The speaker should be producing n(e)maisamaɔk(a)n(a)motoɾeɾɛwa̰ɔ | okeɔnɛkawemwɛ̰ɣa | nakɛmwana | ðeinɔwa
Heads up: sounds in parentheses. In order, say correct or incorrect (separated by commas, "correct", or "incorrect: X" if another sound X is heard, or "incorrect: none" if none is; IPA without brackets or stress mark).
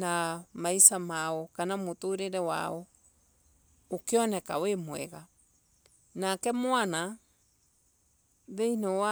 incorrect: a, correct, correct